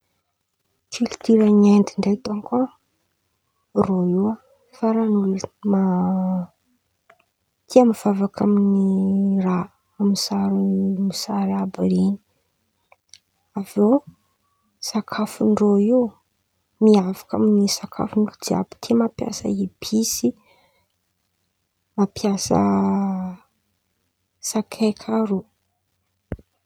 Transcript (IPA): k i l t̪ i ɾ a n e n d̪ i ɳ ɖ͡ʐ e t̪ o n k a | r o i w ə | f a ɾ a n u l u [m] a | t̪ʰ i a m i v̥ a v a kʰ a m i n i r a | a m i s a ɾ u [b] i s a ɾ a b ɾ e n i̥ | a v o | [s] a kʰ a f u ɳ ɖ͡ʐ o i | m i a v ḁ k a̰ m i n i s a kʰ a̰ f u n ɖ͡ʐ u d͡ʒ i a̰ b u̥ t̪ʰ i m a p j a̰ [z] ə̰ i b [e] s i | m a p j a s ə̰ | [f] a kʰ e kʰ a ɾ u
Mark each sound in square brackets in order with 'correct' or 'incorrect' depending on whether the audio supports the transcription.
correct, incorrect, correct, incorrect, incorrect, incorrect

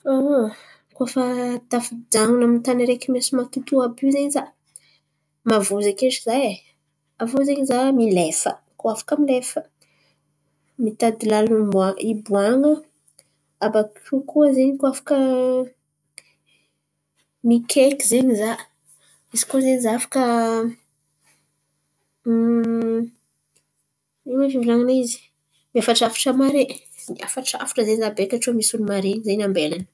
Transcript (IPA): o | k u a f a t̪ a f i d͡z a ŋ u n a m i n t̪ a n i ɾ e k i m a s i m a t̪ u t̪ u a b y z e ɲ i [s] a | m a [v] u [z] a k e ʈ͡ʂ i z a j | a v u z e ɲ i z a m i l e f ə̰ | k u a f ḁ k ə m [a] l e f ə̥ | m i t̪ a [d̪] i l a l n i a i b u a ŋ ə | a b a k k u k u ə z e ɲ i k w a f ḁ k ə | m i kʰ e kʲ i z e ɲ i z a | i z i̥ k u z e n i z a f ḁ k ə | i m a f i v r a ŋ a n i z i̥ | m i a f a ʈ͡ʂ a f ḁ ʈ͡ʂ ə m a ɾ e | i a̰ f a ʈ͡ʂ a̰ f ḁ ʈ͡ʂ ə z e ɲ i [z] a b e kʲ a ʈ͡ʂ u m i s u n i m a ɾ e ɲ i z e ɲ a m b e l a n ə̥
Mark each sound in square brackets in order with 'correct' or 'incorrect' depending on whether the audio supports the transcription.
incorrect, correct, correct, incorrect, correct, correct

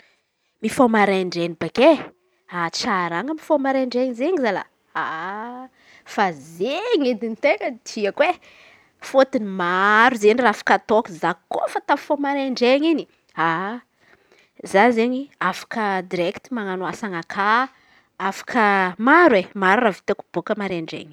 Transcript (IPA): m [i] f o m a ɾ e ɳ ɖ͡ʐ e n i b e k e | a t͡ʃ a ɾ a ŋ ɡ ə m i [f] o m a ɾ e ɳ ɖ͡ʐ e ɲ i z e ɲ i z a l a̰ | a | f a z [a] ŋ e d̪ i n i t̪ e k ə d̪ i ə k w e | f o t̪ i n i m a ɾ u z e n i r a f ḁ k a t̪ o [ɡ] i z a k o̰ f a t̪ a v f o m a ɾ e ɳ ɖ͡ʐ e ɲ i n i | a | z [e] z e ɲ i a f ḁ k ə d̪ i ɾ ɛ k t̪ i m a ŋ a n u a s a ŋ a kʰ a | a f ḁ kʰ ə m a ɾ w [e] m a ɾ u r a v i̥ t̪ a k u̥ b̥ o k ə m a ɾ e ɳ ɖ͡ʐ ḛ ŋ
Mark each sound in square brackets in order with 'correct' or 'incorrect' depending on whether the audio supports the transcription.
correct, correct, incorrect, incorrect, incorrect, correct

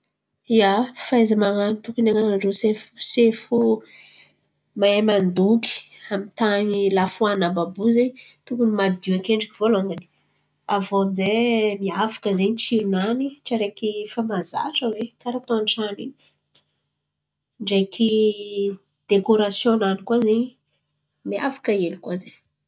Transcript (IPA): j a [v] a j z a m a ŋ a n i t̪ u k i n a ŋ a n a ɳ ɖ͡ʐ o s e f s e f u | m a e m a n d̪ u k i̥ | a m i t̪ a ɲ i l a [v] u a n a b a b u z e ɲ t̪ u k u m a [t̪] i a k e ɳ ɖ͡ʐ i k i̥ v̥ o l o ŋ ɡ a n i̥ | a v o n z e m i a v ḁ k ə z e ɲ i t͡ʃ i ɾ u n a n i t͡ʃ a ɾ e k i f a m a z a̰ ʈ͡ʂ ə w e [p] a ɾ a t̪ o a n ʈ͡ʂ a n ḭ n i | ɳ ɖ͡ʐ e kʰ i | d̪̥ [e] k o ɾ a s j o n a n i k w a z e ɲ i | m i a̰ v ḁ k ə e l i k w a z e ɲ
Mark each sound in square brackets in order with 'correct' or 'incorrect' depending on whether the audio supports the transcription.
incorrect, incorrect, incorrect, incorrect, correct

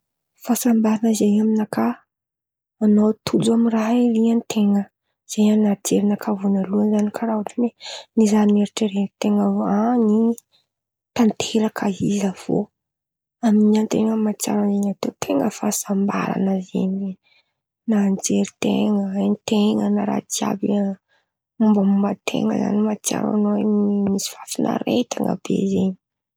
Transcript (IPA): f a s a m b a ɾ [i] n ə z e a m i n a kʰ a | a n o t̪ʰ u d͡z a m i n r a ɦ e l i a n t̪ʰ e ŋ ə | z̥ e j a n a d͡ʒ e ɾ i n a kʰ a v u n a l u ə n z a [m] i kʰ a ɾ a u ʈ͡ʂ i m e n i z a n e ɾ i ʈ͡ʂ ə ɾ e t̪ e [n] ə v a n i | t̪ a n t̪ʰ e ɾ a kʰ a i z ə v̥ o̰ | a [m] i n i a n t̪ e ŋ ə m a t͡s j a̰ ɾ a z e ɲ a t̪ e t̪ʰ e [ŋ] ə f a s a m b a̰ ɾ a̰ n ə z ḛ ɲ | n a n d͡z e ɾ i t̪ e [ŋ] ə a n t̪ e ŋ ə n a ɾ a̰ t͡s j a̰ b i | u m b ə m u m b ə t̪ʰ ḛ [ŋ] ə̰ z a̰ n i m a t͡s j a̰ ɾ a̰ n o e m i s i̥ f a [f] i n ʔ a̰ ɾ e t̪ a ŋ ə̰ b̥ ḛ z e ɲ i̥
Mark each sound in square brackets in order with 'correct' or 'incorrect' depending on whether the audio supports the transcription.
incorrect, incorrect, incorrect, correct, correct, correct, correct, correct

